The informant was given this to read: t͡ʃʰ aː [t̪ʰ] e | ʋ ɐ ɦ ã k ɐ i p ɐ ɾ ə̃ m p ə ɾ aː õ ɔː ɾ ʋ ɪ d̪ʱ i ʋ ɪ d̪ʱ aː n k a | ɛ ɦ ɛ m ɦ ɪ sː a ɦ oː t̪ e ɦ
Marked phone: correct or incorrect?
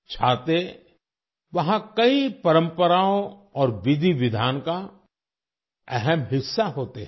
incorrect